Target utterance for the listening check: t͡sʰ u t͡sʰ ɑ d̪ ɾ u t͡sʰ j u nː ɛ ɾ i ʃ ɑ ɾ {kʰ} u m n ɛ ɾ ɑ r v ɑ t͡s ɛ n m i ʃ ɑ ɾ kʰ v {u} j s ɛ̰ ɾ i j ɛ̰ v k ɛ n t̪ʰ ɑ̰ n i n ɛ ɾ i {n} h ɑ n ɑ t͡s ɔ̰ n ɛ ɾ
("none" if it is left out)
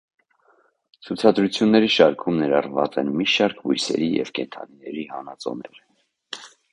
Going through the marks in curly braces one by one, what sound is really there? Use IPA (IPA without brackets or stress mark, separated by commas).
kʰ, u, none